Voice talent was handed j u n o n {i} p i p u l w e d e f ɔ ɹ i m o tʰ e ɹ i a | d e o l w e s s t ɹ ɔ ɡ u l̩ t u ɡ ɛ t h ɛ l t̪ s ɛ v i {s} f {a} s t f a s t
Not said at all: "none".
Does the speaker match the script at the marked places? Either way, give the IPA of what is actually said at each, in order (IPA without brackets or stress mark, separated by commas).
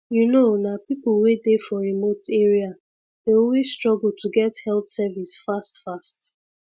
a, s, a